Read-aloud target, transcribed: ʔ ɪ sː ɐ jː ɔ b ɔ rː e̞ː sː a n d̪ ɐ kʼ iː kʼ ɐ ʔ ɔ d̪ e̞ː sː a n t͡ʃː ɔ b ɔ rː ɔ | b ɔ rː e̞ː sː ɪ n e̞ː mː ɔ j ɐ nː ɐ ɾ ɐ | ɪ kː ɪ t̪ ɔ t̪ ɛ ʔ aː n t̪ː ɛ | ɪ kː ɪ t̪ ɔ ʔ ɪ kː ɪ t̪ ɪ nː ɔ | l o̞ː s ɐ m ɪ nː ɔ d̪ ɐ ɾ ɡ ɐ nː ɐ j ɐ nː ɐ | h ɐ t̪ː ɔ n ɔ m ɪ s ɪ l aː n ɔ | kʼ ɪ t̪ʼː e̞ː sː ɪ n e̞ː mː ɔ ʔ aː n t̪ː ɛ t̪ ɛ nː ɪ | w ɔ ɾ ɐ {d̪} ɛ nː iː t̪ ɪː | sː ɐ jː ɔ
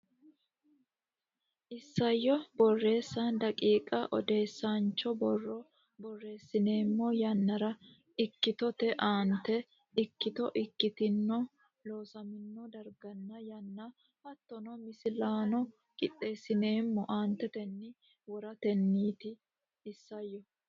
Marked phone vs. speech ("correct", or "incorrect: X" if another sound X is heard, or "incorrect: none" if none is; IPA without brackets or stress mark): incorrect: t̪